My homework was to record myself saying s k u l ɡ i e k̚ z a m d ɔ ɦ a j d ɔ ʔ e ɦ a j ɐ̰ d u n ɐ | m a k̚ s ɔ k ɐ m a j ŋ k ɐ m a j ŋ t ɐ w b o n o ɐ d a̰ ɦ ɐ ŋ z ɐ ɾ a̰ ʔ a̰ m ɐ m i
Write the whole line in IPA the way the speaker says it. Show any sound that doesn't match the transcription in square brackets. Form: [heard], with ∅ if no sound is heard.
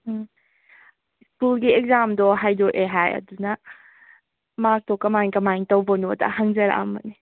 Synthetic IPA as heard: s k u l ɡ i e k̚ z a m d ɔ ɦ a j d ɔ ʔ e ɦ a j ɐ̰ d u n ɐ | m a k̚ [t] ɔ k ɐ m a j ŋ k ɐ m a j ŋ t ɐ w b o n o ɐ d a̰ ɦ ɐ ŋ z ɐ ɾ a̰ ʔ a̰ m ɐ [n] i